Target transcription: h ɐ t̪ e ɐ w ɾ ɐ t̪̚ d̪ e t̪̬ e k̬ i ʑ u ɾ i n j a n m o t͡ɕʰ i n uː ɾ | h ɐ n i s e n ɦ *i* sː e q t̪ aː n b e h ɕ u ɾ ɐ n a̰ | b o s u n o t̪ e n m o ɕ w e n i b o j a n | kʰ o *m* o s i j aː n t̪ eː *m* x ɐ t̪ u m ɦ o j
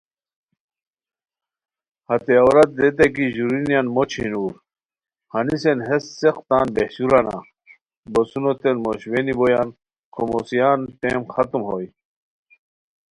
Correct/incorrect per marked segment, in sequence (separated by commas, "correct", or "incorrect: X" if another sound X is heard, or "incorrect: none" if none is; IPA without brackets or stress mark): incorrect: e, correct, correct